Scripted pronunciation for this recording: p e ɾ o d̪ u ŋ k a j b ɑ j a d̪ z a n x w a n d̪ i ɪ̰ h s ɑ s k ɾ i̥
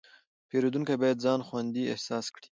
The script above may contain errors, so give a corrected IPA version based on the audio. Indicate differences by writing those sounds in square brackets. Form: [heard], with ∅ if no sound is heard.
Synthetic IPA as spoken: p e ɾ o d̪ u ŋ k a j b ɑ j a d̪ z [ɑ] n x w a n d̪ i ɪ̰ h s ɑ s k [ɽ] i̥

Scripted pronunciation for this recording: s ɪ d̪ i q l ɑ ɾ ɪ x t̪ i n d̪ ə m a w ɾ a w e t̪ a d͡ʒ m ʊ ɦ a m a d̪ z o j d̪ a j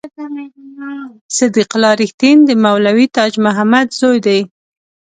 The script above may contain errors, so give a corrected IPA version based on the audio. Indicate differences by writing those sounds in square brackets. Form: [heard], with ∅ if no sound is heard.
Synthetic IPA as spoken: s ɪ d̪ i q l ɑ ɾ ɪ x t̪ i n d̪ ə m a w [l] a w [i] t̪ [ɑ] d͡ʒ m ʊ ɦ a m a d̪ z o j d̪ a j

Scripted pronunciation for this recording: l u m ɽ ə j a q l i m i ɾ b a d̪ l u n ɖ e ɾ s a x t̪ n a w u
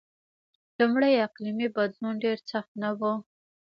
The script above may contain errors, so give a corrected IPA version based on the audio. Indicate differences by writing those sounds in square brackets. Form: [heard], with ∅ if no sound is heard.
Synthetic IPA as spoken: l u m ɽ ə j a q l i m i [∅] b a d̪ l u n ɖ e ɾ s a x t̪ n a w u

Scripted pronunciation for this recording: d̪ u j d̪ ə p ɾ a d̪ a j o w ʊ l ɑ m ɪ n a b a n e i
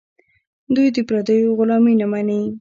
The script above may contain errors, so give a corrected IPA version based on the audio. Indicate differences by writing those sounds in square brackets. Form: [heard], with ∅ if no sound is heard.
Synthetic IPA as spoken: d̪ u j d̪ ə p ɾ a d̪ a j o [ɣ] ʊ l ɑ m [i] n a [m] a n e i

